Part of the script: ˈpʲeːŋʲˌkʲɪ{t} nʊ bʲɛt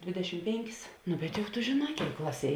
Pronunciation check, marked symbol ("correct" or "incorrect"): incorrect